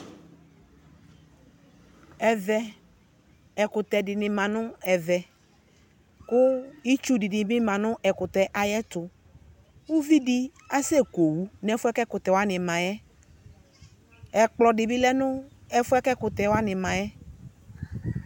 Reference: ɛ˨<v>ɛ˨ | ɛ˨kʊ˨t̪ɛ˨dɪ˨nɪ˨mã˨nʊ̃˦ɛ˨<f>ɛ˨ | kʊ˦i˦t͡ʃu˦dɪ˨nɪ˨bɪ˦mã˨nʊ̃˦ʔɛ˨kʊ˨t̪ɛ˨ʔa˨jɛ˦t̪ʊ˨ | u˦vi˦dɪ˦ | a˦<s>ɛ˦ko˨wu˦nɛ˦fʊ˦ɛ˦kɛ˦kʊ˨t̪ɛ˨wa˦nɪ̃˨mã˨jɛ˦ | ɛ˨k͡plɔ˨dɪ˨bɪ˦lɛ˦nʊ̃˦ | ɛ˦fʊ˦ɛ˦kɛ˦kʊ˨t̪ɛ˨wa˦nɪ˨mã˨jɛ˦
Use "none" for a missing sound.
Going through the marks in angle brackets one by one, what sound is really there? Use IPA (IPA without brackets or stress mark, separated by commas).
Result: v, v, s